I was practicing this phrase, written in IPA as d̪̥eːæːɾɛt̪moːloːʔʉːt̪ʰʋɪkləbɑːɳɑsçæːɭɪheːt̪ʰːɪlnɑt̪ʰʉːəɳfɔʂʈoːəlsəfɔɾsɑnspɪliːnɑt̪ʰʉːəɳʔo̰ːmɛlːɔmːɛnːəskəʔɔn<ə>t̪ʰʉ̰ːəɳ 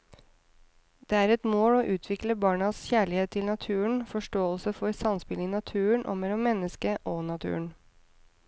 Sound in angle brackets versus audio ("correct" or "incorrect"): incorrect